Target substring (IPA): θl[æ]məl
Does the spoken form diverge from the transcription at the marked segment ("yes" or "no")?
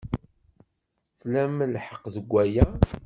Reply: no